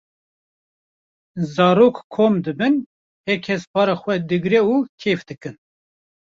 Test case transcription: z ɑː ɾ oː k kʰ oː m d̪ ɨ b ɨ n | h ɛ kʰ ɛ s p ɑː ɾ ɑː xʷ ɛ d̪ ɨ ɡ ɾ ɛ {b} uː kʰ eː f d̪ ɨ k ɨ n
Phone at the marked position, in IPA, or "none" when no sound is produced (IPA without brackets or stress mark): none